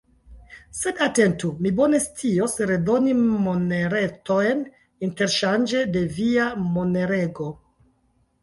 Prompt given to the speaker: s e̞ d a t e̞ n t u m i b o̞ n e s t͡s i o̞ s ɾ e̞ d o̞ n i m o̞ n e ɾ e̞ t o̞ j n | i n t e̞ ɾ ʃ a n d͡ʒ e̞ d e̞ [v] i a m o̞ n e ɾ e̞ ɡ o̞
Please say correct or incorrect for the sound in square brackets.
correct